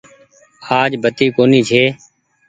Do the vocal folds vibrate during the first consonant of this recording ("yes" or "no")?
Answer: yes